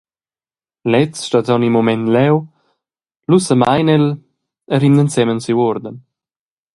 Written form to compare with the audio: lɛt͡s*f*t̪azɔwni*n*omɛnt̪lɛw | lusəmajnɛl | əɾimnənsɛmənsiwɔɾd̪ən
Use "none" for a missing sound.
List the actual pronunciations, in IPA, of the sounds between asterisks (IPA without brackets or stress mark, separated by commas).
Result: ʃ, m